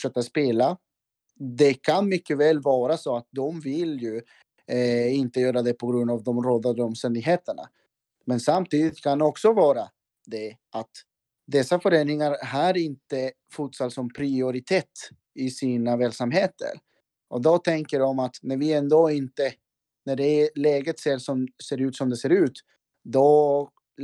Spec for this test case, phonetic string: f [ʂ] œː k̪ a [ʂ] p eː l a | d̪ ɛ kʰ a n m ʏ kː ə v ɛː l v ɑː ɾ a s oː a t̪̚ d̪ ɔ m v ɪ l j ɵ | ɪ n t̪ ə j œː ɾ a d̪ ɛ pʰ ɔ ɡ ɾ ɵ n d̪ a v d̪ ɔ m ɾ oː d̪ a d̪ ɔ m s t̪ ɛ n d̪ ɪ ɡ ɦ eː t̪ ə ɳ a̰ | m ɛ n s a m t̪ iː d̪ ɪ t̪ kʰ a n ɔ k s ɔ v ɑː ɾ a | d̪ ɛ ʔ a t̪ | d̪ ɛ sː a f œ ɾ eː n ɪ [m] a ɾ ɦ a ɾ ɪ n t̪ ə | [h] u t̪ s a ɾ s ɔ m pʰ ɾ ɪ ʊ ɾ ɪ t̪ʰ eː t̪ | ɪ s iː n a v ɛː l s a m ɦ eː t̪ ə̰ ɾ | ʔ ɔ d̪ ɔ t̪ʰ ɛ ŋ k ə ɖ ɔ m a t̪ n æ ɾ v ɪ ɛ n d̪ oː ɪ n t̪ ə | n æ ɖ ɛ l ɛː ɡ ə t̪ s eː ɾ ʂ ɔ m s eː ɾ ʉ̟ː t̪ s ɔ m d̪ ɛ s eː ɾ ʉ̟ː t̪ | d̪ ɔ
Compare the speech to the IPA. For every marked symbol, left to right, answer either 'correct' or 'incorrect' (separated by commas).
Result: correct, incorrect, incorrect, incorrect